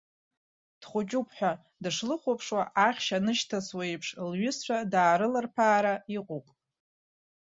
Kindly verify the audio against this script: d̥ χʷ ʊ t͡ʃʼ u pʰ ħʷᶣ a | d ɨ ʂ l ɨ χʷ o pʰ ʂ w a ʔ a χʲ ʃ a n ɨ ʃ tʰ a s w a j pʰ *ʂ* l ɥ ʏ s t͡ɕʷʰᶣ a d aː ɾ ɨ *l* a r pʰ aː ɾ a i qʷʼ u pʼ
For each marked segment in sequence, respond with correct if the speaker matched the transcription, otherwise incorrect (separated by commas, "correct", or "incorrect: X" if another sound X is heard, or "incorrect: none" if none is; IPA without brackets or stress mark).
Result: correct, correct